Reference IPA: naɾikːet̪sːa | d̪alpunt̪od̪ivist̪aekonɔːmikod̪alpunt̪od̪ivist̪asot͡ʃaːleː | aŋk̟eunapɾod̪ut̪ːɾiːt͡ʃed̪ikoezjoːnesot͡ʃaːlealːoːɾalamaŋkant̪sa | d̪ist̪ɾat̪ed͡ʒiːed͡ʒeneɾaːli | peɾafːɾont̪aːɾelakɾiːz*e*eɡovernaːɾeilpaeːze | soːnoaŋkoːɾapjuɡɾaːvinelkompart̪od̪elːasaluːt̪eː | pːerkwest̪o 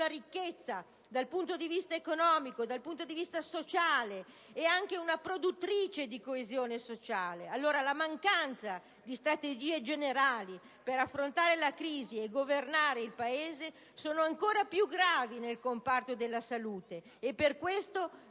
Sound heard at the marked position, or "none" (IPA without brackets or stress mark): i